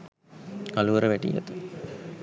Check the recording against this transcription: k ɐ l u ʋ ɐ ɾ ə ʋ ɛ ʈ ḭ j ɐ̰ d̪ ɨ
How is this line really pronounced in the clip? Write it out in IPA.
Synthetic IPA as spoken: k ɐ l u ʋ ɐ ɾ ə ʋ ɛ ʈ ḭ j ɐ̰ t̪ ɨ

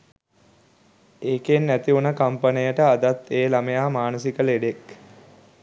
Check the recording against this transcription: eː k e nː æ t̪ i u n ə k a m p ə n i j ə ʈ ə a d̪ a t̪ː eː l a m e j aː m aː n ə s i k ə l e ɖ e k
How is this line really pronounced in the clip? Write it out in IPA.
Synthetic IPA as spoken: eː k e nː æ t̪ i u n ə k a m p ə n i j ə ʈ ə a d̪ a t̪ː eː l a m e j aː m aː n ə s i k ə l e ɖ e k

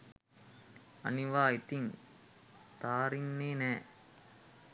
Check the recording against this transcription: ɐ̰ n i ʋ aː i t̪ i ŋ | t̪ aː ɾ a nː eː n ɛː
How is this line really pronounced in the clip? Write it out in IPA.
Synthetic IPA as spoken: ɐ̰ n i ʋ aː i t̪ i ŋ | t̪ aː ɾ i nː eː n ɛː

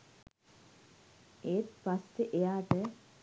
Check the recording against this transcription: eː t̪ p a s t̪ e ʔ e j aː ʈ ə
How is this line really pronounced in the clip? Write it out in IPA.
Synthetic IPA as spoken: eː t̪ p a s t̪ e ʔ e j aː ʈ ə

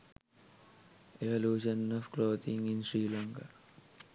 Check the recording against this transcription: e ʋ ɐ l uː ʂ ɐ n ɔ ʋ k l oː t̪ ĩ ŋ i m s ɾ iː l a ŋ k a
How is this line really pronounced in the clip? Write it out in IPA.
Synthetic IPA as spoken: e ʋ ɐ l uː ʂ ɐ n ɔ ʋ k l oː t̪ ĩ ŋ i n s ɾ iː l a ŋ k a

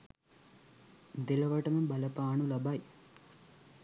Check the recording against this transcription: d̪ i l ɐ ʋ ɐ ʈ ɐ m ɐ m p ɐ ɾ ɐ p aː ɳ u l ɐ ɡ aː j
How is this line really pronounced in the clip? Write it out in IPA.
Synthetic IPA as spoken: d̪ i l ɐ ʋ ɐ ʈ ɐ m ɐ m b ɐ l ɐ p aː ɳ u l ɐ b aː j

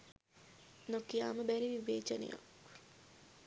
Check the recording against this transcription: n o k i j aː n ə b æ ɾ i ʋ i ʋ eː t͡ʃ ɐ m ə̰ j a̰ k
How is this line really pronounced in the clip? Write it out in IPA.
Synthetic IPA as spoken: n o k i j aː m ə b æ ɾ i ʋ i ʋ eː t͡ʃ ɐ n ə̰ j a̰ k

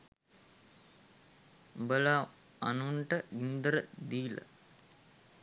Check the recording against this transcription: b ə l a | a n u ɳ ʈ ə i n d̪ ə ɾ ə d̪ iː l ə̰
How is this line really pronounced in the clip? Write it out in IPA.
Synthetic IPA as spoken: b ə l a | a n u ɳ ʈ ə i n d̪ ə ɾ ə d̪ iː l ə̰

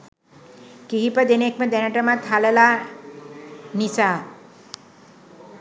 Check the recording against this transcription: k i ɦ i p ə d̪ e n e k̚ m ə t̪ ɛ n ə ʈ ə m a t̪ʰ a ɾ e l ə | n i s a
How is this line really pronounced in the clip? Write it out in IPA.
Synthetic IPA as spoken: k i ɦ i p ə d̪ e n e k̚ m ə d̪ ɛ n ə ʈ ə m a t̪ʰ a l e l a | n i s a

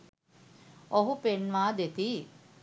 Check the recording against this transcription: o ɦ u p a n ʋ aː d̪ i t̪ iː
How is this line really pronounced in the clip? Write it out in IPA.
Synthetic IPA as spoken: o ɦ u p e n ʋ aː d̪ e t̪ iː

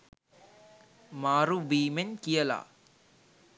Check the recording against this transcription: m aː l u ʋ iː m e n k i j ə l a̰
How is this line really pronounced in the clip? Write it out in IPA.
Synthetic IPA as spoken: m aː ɾ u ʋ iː m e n k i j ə l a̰

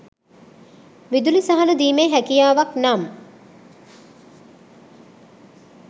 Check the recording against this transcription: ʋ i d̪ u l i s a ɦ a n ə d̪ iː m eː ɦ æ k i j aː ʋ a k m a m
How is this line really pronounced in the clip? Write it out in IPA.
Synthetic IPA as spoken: ʋ i d̪ u l i s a ɦ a n ə d̪ iː m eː ɦ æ k i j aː ʋ a k n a m

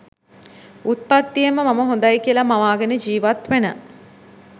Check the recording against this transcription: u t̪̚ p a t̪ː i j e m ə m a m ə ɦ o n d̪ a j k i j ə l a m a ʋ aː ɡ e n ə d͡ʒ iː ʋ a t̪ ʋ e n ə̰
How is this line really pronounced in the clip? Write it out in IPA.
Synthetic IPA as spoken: u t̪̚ p a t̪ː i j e m ə m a m ə ɦ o n d̪ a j k i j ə l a m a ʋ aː ɡ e n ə d͡ʒ iː ʋ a t̪ ʋ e n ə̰

